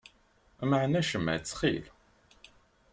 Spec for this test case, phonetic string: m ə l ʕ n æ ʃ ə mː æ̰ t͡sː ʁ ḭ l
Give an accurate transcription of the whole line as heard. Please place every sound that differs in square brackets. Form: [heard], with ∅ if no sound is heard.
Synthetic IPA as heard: m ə [∅] ʕ n æ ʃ ə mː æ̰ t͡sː [χ] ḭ l